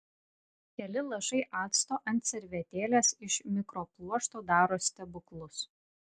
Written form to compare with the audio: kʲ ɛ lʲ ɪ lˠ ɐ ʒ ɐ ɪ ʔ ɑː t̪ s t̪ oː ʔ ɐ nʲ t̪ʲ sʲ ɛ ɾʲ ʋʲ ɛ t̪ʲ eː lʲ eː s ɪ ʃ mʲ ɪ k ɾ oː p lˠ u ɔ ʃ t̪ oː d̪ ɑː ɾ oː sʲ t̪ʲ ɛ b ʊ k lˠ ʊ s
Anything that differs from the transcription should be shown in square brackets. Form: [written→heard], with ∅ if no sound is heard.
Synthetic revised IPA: kʲ ɛ lʲ ɪ lˠ ɐ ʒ ɐ ɪ ʔ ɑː t̪ s t̪ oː ʔ ɐ nʲ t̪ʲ sʲ ɛ ɾʲ ʋʲ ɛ t̪ʲ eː lʲ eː s ɪ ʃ mʲ ɪ k ɾ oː p lˠ u ɔ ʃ t̪ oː d̪ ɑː ɾ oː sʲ t̪ʲ ɛ b ʊ k lˠ ʊ s